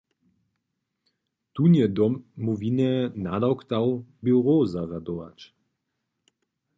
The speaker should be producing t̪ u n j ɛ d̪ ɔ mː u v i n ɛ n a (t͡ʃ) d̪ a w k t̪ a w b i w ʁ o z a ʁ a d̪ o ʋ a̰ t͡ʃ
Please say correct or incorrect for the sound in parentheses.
incorrect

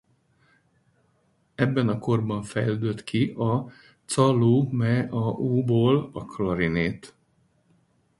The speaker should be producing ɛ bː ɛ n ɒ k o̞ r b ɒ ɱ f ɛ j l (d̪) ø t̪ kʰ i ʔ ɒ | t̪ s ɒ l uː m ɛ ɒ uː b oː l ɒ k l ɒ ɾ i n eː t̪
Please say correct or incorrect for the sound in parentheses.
correct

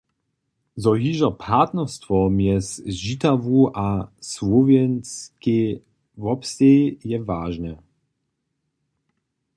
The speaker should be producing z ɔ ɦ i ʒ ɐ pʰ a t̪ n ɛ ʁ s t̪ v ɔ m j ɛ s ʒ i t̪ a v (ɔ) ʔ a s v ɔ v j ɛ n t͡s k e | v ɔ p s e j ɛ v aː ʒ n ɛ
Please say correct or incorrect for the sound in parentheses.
incorrect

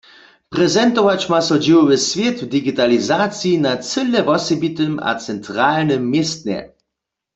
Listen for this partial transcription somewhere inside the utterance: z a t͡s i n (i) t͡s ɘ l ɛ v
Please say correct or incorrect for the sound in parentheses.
incorrect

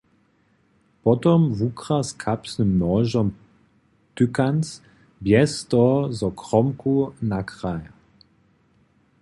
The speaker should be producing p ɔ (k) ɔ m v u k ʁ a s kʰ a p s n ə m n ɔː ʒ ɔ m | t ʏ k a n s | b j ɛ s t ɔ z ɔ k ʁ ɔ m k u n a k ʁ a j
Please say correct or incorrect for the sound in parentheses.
incorrect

